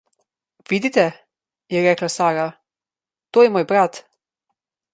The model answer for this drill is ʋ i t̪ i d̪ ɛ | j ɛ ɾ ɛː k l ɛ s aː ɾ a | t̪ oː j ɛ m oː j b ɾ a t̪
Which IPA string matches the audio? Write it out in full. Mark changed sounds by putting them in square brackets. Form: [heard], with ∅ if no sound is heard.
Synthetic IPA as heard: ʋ i [d̪] i [t̪] ɛ | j ɛ ɾ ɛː k l [a] s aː ɾ a | t̪ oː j ɛ m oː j b ɾ a t̪